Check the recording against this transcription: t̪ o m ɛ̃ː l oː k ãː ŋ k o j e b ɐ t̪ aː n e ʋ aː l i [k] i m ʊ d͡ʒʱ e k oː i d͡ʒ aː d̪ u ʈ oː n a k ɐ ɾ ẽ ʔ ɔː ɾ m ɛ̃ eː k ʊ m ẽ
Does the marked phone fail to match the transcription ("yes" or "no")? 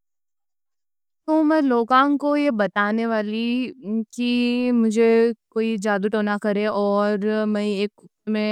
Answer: no